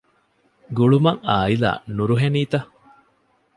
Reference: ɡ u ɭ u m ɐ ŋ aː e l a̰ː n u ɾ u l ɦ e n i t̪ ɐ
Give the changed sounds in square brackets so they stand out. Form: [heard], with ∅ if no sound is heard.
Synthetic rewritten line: ɡ u ɭ u m ɐ ŋ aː [i] l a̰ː n u ɾ u [∅] ɦ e n [iː] t̪ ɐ

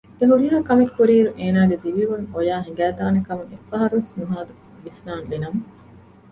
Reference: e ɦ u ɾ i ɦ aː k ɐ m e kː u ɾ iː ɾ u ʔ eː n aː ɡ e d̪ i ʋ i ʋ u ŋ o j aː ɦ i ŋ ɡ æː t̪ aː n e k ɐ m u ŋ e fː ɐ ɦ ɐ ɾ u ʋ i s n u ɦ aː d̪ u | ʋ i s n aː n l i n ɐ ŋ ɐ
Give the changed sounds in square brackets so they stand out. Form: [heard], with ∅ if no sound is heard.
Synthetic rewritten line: e ɦ u ɾ i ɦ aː k ɐ m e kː u ɾ iː ɾ u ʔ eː n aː ɡ e d̪ i ʋ i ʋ u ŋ o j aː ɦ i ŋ ɡ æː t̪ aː n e k ɐ m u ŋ e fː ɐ ɦ ɐ ɾ u ʋ [e] s n u ɦ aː d̪ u | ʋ i s n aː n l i n ɐ [m] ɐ

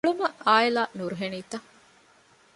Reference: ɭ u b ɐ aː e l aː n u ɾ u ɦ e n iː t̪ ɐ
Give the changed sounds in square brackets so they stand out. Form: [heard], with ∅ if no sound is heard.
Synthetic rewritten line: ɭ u [m] ɐ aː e l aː n u ɾ u ɦ e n iː t̪ ɐ

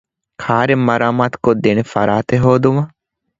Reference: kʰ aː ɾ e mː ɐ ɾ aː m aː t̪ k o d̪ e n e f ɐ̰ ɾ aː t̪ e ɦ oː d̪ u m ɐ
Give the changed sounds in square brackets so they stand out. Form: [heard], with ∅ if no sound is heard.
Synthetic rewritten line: kʰ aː ɾ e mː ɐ ɾ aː m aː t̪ k o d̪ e n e f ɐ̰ ɾ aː t̪ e ɦ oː d̪ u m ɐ

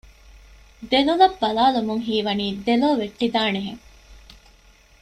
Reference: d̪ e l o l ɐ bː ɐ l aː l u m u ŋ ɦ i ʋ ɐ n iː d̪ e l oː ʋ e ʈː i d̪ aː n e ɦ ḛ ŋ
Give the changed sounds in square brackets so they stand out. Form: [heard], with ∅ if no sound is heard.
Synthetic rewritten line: d̪ e l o l ɐ bː ɐ l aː l u m u ŋ ɦ [iː] ʋ ɐ n iː d̪ e l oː ʋ e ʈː i d̪ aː n e ɦ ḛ ŋ

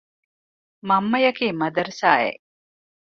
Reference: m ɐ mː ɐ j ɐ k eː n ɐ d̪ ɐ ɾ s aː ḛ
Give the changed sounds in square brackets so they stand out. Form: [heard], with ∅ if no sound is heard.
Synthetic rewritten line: m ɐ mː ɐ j ɐ k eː [m] ɐ d̪ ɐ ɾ s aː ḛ

